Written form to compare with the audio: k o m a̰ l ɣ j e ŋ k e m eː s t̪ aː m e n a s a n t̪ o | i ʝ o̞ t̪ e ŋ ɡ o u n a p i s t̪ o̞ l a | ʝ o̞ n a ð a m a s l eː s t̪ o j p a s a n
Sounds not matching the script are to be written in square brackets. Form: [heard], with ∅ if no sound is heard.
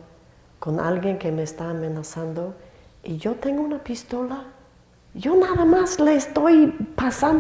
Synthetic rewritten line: k o [n] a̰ l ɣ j e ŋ k e m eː s t̪ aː m e n a s a n [d̪] o | i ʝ o̞ t̪ e ŋ ɡ o u n a p i s t̪ o̞ l a | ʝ o̞ n a ð a m a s l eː s t̪ o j p a s a n